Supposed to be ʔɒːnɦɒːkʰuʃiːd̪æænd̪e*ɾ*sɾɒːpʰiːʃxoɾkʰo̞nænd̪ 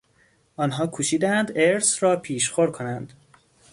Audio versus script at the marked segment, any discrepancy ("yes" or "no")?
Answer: no